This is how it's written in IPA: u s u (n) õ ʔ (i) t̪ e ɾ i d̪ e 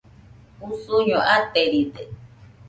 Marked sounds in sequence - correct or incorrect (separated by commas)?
incorrect, incorrect